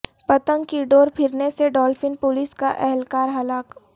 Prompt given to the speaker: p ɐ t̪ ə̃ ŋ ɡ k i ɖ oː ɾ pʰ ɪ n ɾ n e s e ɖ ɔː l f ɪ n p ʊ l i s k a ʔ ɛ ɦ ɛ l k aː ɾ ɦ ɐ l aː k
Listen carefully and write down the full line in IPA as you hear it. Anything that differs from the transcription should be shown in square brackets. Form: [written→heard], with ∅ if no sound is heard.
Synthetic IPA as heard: p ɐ t̪ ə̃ ŋ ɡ k i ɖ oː ɾ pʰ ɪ [n→∅] ɾ n e s e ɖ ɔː l f ɪ n p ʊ l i s k a ʔ ɛ ɦ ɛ l k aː ɾ ɦ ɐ l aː k